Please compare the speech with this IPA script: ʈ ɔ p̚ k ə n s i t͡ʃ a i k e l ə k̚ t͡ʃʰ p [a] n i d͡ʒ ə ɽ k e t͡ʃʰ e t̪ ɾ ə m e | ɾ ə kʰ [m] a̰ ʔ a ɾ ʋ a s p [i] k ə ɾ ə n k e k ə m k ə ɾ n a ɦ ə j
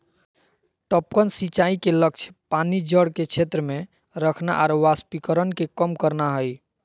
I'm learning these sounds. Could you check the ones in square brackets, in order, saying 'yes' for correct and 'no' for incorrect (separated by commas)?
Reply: yes, no, yes